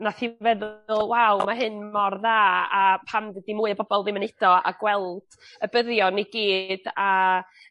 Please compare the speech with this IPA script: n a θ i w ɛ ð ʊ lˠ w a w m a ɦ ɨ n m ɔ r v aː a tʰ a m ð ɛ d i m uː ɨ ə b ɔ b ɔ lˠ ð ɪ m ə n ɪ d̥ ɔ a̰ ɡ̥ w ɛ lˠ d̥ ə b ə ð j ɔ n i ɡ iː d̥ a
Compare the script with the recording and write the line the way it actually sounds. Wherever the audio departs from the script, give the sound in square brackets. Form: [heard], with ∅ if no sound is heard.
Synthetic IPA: n a θ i [v] ɛ ð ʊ lˠ w a w m a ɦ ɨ n m ɔ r [ð] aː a [pʰ] a m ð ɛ d i m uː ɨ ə b ɔ b ɔ lˠ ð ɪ m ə n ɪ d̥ ɔ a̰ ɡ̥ w ɛ lˠ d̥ ə b ə ð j ɔ n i ɡ iː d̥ a